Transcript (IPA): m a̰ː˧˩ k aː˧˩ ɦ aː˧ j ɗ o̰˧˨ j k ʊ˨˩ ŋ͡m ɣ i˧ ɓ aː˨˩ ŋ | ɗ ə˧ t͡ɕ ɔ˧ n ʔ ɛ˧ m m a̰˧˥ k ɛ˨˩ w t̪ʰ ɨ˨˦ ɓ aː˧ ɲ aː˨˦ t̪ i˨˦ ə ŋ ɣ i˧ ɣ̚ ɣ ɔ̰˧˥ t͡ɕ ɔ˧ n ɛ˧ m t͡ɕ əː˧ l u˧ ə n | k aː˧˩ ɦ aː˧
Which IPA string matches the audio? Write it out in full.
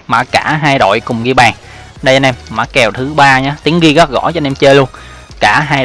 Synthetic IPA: m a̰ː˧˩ k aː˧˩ ɦ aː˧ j ɗ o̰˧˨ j k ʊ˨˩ ŋ͡m ɣ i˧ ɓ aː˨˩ ŋ | ɗ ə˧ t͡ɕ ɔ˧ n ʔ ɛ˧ m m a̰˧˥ k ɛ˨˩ w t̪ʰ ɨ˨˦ ɓ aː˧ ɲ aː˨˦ t̪ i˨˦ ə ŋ ɣ i˧ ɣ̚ ɣ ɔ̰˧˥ t͡ɕ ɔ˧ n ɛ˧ m t͡ɕ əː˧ l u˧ ə n | k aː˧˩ ɦ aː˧

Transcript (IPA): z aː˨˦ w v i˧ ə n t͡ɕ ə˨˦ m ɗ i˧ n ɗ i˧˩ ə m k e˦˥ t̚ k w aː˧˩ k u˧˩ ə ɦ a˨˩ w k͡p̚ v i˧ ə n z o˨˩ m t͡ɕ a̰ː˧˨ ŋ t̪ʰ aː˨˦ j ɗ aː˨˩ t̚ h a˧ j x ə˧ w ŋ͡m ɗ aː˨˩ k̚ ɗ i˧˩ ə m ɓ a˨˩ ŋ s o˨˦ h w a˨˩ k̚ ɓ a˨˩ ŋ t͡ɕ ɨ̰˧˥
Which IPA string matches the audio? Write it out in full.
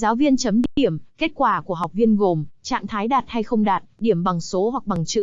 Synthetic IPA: z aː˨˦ w v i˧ ə n t͡ɕ ə˨˦ m ɗ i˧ ɗ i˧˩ ə m k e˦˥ t̚ k w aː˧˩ k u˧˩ ə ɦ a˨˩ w k͡p̚ v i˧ ə n ɣ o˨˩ m t͡ɕ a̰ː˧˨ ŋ t̪ʰ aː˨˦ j ɗ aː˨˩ t̚ h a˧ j x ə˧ w ŋ͡m ɗ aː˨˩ t̚ ɗ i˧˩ ə m ɓ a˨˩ ŋ s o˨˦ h w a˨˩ k̚ ɓ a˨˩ ŋ t͡ɕ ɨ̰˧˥

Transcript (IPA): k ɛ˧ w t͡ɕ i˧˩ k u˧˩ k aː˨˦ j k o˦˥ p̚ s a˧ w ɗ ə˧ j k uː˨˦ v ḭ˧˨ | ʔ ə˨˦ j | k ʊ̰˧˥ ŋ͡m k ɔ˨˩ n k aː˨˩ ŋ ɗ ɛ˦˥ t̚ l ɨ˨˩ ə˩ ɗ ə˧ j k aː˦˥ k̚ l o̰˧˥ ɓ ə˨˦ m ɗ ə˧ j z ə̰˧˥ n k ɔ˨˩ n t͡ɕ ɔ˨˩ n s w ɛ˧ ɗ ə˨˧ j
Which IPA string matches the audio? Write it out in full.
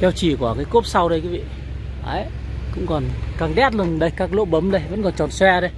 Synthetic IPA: k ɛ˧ w t͡ɕ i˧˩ k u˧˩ k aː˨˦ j k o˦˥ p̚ s a˧ w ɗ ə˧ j k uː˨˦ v ḭ˧˨ | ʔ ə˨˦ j | k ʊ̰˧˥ ŋ͡m k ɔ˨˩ n k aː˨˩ ŋ ɗ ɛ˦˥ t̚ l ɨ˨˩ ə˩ ɗ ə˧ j k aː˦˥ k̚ l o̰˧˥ ɓ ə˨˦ m ɗ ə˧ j v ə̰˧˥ n k ɔ˨˩ n t͡ɕ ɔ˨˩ n s w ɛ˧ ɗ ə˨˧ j

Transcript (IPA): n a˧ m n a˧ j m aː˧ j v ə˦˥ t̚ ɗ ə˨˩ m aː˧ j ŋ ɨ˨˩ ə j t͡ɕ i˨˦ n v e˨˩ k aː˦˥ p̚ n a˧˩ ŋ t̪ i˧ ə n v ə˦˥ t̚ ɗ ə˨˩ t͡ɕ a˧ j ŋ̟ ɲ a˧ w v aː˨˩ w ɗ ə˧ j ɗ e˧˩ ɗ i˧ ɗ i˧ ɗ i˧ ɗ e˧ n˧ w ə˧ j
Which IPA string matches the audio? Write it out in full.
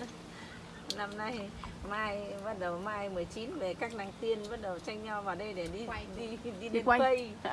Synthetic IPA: n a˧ m n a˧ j m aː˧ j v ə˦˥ t̚ ɗ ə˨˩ m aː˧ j m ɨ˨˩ ə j t͡ɕ i˨˦ n v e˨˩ k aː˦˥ k̚ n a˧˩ ŋ t̪ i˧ ə n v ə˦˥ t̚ ɗ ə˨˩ t͡ɕ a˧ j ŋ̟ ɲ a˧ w v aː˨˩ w ɗ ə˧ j ɗ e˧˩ ɗ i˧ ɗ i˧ ɗ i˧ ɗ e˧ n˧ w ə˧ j

